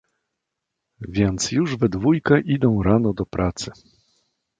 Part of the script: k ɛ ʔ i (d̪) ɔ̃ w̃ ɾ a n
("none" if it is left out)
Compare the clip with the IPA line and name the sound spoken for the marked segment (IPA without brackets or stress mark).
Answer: d̪